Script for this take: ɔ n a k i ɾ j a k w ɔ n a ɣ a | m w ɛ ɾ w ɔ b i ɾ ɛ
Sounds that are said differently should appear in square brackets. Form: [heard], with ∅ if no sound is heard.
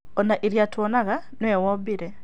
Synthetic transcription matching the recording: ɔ n a [ʔ] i ɾ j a [t] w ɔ n a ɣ a | [n] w ɛ [∅] w ɔ b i ɾ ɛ